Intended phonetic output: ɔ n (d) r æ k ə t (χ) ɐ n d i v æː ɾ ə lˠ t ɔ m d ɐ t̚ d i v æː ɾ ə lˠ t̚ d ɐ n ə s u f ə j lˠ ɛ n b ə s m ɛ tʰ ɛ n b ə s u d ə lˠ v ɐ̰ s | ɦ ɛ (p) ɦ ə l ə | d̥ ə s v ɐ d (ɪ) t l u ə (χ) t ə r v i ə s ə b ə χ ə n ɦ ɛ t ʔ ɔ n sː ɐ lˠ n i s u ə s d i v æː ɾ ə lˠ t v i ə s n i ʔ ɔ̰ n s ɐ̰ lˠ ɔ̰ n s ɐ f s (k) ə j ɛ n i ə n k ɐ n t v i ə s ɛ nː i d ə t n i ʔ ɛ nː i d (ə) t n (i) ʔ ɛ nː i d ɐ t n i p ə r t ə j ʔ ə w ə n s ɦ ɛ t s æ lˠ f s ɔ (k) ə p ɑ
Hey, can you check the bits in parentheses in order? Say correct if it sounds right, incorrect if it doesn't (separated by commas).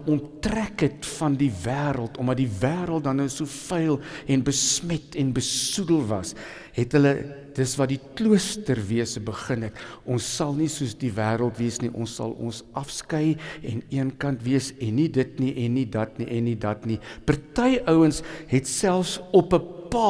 incorrect, incorrect, incorrect, incorrect, incorrect, correct, incorrect, correct, incorrect